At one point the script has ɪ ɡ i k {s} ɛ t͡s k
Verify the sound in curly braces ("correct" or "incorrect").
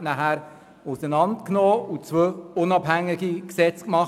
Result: correct